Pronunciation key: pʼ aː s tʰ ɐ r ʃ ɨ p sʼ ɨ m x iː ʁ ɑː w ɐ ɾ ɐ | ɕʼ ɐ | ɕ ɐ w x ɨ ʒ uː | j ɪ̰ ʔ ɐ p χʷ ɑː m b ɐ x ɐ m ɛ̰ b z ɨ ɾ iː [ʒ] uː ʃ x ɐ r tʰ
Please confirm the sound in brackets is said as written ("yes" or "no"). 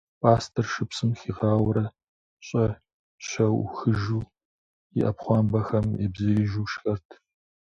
yes